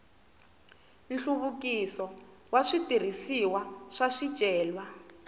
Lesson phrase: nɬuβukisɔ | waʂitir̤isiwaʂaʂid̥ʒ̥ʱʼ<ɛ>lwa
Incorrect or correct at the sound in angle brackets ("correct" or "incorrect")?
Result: incorrect